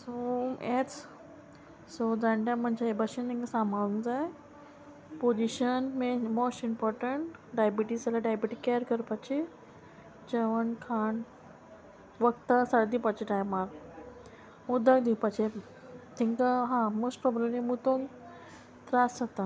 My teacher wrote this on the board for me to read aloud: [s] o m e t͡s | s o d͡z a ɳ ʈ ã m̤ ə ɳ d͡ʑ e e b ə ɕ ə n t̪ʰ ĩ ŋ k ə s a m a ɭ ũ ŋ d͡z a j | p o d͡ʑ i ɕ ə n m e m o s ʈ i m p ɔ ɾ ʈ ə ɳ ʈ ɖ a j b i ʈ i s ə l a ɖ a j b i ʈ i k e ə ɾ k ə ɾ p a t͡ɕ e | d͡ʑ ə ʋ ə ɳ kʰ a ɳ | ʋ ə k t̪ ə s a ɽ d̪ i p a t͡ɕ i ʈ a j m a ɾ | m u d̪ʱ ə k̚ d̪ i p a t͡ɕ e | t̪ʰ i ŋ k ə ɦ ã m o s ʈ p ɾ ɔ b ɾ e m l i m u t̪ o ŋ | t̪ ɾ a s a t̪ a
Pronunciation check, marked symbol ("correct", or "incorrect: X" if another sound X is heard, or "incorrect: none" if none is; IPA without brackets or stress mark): correct